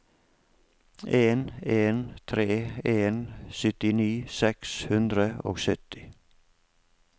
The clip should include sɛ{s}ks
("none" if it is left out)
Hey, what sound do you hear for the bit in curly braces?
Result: none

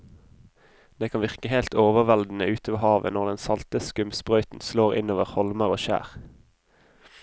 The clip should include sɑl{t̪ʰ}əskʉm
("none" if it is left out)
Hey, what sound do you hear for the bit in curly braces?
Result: t̪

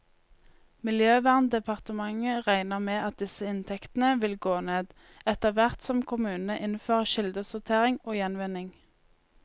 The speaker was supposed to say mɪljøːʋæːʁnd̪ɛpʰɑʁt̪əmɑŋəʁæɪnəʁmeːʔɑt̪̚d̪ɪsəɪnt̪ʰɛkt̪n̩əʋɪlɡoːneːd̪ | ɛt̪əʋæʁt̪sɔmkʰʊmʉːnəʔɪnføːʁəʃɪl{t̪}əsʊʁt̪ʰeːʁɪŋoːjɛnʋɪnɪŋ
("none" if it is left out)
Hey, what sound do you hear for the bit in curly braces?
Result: d̪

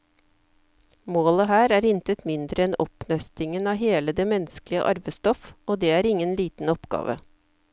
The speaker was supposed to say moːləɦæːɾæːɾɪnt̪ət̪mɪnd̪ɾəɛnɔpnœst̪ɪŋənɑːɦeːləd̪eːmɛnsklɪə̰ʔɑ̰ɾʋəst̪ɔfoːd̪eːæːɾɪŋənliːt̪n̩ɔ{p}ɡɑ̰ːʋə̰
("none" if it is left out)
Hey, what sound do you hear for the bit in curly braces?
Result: p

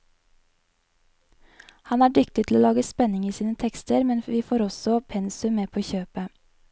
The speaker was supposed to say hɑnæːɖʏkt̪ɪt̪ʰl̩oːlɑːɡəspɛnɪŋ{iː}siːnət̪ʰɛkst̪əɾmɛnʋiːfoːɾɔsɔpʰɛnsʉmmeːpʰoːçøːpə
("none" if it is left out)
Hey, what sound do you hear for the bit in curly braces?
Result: iː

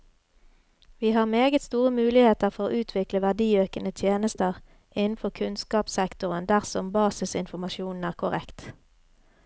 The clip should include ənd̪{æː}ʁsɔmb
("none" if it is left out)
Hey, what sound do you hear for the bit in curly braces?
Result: æ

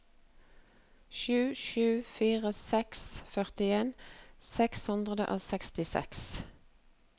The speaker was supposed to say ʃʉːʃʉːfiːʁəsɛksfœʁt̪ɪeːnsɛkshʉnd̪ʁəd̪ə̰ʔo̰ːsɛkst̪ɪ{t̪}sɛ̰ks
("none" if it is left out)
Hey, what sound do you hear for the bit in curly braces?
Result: none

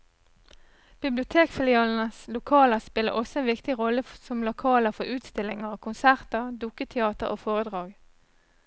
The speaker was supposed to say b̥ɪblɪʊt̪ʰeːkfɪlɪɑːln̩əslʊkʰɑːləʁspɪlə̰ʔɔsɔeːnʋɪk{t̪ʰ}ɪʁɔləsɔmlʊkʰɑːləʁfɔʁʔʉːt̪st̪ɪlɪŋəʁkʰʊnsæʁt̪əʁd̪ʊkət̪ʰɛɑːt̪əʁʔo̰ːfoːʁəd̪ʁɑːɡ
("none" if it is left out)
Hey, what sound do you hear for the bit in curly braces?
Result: t̪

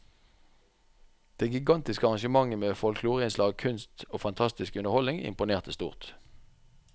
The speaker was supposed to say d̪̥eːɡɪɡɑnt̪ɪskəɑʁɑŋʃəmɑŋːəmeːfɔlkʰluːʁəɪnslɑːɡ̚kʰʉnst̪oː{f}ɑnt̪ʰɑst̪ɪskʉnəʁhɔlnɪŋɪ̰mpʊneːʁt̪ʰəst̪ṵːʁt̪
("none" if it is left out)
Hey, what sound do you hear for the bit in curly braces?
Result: f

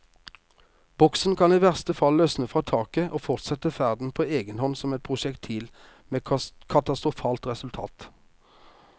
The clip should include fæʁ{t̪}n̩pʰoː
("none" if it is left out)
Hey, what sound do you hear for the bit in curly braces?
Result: d̪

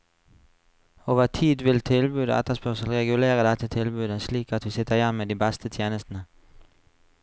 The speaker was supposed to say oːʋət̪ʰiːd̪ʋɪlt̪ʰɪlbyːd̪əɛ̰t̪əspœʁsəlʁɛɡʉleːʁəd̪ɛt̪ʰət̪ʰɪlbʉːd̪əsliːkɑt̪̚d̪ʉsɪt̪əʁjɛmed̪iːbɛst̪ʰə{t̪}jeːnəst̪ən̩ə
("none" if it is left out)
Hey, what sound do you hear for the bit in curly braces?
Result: t̪ʰ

